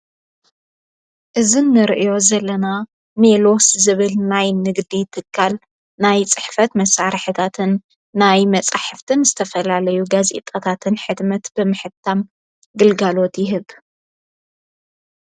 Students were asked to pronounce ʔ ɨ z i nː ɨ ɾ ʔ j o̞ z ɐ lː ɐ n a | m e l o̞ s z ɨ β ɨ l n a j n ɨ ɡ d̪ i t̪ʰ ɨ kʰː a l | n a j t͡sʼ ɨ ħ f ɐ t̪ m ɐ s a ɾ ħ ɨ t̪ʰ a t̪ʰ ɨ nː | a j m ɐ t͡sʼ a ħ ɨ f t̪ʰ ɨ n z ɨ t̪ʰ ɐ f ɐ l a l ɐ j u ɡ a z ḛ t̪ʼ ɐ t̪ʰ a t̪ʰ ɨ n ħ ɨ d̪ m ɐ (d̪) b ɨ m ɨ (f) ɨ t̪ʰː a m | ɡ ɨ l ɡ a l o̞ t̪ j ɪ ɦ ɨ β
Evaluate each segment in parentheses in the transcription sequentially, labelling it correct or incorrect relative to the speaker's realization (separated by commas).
incorrect, incorrect